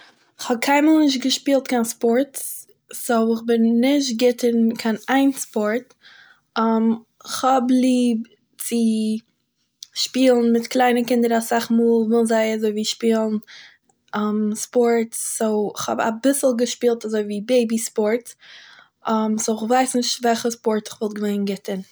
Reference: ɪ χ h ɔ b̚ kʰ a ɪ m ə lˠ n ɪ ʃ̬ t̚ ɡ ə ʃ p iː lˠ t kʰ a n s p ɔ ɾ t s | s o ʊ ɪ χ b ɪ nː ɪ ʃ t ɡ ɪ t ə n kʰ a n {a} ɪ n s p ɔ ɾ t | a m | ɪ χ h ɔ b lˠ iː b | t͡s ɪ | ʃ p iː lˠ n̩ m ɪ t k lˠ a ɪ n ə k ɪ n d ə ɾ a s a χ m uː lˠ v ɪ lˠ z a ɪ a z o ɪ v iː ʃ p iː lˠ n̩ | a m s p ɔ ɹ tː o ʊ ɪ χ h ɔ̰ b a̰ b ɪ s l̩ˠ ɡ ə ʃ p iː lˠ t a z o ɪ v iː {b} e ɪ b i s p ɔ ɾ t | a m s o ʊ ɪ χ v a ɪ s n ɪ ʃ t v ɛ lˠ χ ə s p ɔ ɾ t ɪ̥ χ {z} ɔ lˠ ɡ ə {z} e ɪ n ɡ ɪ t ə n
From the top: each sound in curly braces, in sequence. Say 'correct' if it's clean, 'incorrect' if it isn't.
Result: correct, correct, incorrect: v, incorrect: v

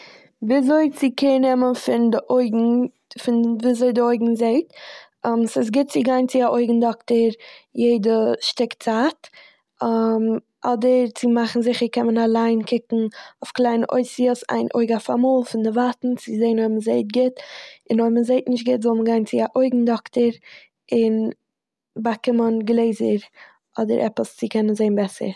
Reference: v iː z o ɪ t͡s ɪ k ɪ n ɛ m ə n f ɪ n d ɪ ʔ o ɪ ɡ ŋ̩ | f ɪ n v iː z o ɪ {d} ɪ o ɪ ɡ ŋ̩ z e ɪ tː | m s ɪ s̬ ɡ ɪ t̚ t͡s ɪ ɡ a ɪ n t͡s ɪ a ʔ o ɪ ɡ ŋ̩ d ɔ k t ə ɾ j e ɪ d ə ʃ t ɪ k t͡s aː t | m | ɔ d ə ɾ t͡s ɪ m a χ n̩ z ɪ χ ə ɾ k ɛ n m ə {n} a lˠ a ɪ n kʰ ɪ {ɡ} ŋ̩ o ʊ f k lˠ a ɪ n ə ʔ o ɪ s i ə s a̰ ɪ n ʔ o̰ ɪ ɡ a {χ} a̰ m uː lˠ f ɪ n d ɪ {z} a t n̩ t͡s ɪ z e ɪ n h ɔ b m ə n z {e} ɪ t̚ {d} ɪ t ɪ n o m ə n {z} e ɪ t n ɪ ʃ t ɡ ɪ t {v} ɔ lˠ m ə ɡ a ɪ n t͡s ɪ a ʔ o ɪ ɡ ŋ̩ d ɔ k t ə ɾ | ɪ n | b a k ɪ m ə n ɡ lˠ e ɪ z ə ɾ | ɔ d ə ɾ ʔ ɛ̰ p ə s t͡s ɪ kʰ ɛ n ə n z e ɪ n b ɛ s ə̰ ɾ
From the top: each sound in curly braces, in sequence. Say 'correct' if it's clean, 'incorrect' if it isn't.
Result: correct, correct, incorrect: k, incorrect: f, incorrect: v, correct, incorrect: ɡ, correct, incorrect: z

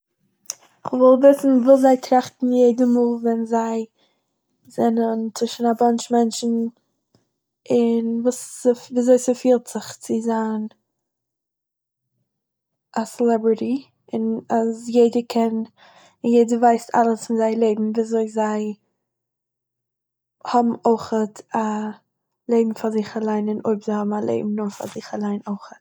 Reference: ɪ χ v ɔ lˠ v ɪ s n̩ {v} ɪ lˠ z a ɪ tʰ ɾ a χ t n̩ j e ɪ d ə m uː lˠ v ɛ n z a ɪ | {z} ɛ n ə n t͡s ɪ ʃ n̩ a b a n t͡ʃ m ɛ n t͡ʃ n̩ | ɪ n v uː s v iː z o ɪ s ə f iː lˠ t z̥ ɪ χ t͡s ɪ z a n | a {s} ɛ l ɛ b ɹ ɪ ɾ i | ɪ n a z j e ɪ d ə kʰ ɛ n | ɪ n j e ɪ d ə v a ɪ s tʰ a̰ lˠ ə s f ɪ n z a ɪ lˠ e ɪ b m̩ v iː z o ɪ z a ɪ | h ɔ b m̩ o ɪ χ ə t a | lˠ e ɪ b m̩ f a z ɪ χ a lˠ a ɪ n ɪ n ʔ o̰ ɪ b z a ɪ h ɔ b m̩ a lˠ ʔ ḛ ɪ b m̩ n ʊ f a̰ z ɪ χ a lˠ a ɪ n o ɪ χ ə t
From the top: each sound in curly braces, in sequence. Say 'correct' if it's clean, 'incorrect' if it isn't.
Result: correct, correct, correct

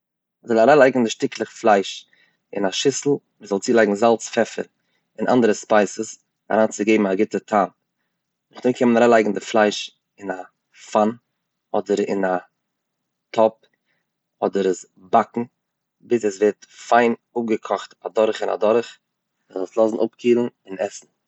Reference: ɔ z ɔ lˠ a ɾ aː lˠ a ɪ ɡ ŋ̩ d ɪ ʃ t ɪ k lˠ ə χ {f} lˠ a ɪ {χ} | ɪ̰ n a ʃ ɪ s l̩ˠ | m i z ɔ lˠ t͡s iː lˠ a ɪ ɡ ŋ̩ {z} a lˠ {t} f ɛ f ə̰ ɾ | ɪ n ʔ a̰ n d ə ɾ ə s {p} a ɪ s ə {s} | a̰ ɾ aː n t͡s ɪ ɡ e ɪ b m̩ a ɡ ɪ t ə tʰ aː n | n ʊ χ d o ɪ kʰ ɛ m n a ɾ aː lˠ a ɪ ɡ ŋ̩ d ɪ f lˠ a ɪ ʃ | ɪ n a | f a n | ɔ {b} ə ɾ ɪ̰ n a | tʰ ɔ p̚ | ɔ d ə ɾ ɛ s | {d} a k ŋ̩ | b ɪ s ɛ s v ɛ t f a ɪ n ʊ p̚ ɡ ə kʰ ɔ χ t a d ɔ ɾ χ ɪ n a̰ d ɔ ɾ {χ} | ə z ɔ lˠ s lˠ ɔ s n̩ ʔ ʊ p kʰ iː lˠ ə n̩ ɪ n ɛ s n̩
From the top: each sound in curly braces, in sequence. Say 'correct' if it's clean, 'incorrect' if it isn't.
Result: correct, incorrect: ʃ, correct, incorrect: t͡s, correct, correct, incorrect: d, incorrect: b, correct

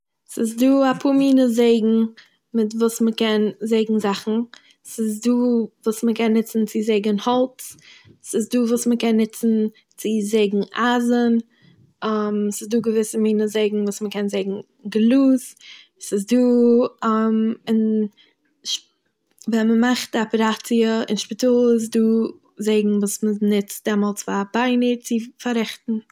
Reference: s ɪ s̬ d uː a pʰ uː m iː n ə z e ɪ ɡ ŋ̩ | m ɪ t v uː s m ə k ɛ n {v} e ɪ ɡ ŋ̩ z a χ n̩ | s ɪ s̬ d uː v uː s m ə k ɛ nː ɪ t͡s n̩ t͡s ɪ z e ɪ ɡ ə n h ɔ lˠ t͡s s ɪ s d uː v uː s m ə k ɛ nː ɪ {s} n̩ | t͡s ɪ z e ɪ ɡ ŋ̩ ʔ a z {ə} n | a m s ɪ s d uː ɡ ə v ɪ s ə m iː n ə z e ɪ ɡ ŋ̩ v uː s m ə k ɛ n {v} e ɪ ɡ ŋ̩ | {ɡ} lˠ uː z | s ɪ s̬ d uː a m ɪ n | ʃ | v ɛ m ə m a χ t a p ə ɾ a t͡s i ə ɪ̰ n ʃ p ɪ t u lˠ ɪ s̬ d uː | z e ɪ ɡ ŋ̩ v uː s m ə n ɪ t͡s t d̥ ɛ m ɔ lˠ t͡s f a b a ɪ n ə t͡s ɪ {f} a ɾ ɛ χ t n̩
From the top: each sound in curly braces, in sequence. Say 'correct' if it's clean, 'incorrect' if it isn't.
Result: incorrect: z, incorrect: t͡s, correct, incorrect: z, correct, correct

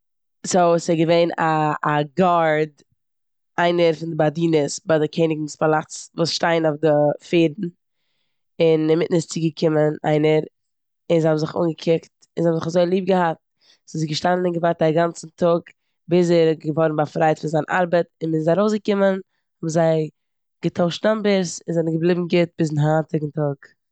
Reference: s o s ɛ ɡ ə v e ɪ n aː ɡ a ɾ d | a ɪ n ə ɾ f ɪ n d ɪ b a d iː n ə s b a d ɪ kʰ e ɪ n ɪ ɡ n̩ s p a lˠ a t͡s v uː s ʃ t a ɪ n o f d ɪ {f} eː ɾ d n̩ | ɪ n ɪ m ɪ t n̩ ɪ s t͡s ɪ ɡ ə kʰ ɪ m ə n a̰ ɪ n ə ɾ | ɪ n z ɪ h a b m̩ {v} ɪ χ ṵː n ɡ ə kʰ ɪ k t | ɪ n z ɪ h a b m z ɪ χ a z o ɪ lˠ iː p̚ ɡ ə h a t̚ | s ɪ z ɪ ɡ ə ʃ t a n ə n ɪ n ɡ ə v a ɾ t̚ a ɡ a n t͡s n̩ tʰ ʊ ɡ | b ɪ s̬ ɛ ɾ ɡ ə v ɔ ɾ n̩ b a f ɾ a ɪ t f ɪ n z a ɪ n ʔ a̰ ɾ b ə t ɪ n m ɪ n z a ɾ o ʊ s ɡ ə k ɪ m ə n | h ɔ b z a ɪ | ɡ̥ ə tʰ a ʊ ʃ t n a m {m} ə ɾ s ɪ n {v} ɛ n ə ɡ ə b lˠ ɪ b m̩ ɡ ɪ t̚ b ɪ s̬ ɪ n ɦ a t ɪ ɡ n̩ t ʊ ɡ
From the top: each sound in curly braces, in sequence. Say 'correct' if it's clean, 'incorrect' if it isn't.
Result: correct, incorrect: z, incorrect: b, incorrect: z

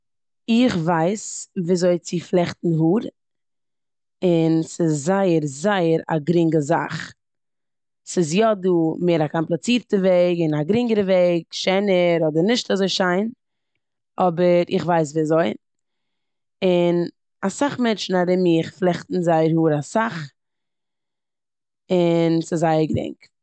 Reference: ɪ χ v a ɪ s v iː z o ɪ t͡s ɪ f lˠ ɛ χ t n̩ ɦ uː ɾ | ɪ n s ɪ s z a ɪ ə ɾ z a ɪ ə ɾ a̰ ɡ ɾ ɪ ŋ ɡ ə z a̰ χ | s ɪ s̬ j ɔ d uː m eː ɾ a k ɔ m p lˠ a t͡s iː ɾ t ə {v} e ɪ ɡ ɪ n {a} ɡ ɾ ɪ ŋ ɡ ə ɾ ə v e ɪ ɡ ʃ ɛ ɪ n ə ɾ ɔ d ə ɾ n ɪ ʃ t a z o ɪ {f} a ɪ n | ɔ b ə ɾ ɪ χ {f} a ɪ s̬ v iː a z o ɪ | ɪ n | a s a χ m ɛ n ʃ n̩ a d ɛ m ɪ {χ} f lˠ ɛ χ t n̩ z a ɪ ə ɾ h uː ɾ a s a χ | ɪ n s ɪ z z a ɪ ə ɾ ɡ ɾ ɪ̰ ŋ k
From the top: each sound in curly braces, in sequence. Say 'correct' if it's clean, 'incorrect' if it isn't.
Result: correct, correct, incorrect: ʃ, incorrect: v, correct

